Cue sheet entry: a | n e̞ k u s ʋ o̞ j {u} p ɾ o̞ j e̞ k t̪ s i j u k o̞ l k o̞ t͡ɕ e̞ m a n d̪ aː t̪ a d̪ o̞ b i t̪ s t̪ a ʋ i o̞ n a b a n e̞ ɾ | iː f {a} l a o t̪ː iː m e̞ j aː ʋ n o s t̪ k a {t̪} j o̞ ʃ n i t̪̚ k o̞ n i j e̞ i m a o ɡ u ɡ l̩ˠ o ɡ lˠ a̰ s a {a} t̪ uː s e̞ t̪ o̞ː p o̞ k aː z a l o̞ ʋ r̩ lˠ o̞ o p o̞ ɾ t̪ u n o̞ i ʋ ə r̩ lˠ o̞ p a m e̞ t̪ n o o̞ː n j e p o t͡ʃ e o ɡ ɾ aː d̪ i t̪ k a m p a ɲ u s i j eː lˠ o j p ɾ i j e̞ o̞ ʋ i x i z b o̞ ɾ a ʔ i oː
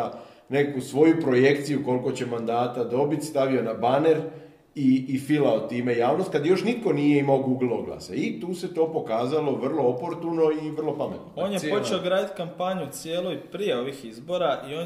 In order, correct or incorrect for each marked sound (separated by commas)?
correct, incorrect, incorrect, incorrect